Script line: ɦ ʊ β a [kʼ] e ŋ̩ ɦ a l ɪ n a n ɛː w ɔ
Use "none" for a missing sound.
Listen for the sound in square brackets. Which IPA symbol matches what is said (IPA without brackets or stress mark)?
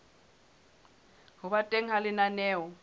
tʼ